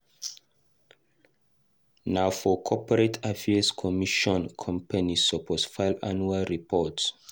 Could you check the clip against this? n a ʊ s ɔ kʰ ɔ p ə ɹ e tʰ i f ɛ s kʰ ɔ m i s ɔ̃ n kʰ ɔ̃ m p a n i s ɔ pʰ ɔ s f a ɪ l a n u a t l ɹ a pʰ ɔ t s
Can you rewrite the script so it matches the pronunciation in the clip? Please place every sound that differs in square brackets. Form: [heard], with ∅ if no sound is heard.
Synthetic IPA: n a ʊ [f] ɔ kʰ ɔ p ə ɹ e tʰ [a] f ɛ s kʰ ɔ m i [ʃ] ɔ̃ n kʰ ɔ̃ m p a n i s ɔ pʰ ɔ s f a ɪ l a n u a [∅] l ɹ [i] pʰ ɔ t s

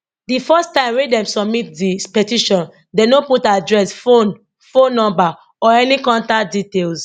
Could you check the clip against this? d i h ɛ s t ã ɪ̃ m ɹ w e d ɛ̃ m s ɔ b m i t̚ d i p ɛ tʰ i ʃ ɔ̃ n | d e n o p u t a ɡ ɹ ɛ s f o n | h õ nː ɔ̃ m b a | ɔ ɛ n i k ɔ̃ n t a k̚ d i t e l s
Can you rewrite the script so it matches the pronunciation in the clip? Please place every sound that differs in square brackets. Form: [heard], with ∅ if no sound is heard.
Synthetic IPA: d i [f] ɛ s t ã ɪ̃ m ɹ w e d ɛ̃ m s ɔ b m i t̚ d i p ɛ [t] i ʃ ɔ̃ n | d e n o p u t a [d] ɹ ɛ s f o n | [f] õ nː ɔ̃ m b a | ɔ ɛ n i k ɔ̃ n t a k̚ d i t e l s

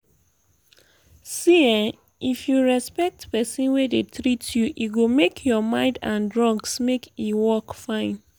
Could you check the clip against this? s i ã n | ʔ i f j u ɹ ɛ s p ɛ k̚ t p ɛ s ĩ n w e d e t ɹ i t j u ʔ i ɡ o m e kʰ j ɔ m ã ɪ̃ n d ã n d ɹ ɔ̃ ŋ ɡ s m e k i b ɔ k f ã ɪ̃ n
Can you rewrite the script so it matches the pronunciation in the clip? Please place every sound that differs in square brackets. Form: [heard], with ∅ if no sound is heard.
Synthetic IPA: s i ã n | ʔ i f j u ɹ ɛ s p ɛ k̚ t p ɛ s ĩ n w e d e t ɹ i t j u ʔ i ɡ o m e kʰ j ɔ m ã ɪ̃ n d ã n d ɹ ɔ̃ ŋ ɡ s m e k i [w] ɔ k f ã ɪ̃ n

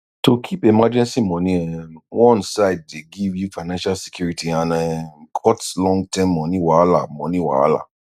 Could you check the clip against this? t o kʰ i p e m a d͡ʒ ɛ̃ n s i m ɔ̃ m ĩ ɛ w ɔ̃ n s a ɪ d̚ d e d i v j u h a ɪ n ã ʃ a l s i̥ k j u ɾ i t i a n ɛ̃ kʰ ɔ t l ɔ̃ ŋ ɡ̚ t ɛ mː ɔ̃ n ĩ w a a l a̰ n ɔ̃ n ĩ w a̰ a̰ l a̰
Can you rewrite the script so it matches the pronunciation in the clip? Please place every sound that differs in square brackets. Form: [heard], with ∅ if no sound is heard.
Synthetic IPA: t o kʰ i p e m a d͡ʒ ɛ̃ n s i m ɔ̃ [n] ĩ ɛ w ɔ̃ n s a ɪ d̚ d e [ɡ] i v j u [f] a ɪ n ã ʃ a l s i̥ k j u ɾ i t i a n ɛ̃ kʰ ɔ t l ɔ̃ ŋ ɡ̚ t ɛ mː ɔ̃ n ĩ w a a l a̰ [m] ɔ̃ n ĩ w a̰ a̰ l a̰

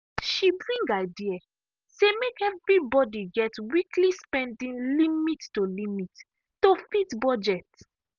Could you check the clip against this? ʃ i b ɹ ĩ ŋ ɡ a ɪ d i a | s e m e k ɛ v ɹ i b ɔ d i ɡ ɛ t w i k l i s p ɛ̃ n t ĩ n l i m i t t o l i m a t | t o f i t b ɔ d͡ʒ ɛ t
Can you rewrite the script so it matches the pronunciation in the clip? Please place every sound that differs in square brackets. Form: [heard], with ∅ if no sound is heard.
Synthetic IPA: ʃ i b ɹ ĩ ŋ ɡ a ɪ d i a | s e m e k ɛ v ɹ i b ɔ d i ɡ ɛ t w i k l i s p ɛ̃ n [d] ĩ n l i m i t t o l i m [i] t | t o f i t b ɔ d͡ʒ ɛ t

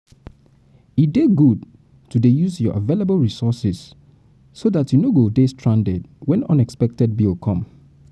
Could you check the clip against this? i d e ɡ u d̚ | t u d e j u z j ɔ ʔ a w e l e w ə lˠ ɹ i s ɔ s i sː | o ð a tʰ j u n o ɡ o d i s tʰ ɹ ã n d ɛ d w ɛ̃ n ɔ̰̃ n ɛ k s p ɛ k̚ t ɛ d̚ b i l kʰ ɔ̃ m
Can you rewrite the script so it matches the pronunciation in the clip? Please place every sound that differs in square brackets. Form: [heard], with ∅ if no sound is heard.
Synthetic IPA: i d e ɡ u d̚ | t u d e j u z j ɔ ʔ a [v] e l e [b] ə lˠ ɹ i s ɔ s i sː | o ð a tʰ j u n o ɡ o d [e] s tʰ ɹ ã n d ɛ d w ɛ̃ n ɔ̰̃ n ɛ k s p ɛ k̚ t ɛ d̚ b i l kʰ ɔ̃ m

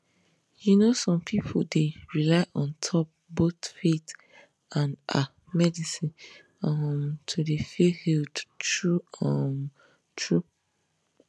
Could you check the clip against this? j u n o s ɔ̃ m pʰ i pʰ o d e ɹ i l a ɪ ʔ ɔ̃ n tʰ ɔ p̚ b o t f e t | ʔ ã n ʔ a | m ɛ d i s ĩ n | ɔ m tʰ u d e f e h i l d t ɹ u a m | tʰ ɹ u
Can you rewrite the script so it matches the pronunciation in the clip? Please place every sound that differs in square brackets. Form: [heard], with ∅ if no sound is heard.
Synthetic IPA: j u n o s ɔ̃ m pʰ i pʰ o d e ɹ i l a ɪ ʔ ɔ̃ n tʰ ɔ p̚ b o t f e t | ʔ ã n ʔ a | m ɛ d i s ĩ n | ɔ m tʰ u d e f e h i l d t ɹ u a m | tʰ ɹ u

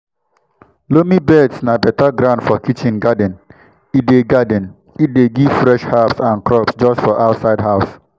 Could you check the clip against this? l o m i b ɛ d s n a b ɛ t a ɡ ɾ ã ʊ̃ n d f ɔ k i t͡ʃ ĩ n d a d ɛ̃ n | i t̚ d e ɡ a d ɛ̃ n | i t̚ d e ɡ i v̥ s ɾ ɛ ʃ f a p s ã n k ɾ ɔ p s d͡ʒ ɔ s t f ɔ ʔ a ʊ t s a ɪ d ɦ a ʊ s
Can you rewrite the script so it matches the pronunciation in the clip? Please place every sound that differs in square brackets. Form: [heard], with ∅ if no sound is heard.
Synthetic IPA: l o m i b ɛ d s n a b ɛ t a ɡ ɾ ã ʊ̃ n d f ɔ k i t͡ʃ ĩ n [ɡ] a d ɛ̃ n | i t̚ d e ɡ a d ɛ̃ n | i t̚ d e ɡ i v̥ [f] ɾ ɛ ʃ [h] a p s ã n k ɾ ɔ p s d͡ʒ ɔ s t f ɔ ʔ a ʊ t s a ɪ d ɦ a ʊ s

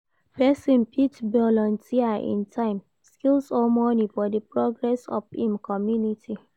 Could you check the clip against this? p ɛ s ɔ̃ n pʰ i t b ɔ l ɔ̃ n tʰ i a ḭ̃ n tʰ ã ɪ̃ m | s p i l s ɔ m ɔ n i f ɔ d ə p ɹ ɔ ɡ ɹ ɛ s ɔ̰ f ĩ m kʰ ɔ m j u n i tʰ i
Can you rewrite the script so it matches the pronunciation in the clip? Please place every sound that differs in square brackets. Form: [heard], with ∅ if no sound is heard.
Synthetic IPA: p ɛ s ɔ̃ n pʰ i t b ɔ l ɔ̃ n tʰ i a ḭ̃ n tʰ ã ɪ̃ m | s [k] i l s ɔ m ɔ n i f ɔ d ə p ɹ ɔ ɡ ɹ ɛ s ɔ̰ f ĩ m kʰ ɔ m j u n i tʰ i

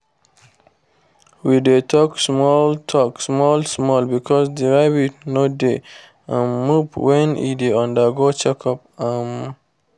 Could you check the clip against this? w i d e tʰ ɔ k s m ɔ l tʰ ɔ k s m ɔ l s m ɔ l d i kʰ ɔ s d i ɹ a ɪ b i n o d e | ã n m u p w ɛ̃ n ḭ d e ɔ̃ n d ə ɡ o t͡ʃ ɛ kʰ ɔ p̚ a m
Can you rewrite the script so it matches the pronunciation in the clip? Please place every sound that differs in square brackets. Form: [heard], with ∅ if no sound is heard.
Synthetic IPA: w i d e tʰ ɔ k s m ɔ l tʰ ɔ k s m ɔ l s m ɔ l [b] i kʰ ɔ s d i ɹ a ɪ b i n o d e | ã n m u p w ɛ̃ n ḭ d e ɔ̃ n d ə ɡ o t͡ʃ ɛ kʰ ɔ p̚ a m

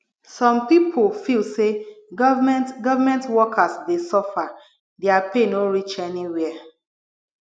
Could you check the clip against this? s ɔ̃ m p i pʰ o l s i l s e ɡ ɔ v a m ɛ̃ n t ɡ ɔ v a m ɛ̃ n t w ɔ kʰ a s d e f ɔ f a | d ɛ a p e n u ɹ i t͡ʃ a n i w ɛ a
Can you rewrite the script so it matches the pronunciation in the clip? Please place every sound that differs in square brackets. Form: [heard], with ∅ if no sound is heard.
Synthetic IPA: s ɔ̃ m p i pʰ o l [f] i l s e ɡ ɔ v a m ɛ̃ n t ɡ ɔ v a m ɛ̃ n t w ɔ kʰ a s d e [s] ɔ f a | d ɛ a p e n [o] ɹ i t͡ʃ [ɛ] n i w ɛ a

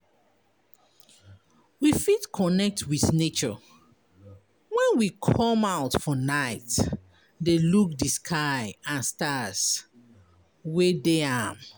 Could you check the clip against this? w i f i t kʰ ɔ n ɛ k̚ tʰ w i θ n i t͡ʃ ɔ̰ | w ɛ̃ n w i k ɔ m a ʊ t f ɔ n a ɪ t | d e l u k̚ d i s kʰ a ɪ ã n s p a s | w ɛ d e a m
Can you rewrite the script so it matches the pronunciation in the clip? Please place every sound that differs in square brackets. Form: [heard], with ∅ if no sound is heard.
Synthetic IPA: w i f i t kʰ ɔ n ɛ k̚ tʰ w i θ n [e] t͡ʃ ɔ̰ | w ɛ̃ n w i [kʰ] ɔ m a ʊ t f ɔ n a ɪ t | d e l u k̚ d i s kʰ a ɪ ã n s [t] a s | w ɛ d e a m

